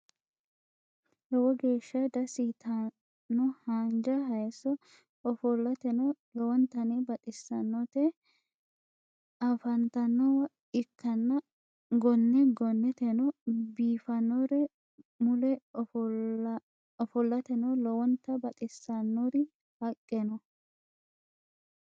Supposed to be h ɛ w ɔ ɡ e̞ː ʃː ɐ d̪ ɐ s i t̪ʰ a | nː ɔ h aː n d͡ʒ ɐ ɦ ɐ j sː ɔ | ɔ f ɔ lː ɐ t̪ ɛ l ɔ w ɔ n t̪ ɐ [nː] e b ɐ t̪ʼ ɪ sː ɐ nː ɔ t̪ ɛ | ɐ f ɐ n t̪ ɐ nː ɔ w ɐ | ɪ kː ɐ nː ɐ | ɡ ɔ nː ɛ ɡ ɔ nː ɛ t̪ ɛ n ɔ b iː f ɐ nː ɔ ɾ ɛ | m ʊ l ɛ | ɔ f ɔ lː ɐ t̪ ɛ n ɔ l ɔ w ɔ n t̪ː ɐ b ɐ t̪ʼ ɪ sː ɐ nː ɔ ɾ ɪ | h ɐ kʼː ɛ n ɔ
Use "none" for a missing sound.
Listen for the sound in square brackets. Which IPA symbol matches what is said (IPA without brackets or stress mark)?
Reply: n